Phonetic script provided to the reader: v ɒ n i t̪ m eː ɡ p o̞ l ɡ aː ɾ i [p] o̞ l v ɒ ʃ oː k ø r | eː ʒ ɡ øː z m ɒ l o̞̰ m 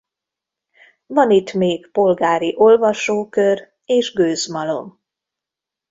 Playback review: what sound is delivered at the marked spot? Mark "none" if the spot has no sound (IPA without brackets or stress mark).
ʔ